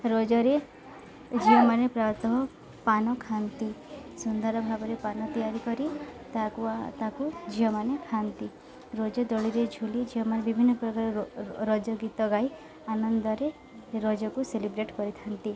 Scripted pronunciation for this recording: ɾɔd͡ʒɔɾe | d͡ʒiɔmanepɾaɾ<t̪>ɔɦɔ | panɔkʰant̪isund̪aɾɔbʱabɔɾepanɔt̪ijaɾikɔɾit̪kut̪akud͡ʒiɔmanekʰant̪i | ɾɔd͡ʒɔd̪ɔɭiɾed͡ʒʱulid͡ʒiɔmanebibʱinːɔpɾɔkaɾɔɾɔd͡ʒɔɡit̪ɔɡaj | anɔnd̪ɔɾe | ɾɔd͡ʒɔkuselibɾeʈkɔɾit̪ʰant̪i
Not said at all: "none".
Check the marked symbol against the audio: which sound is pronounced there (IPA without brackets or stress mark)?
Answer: t̪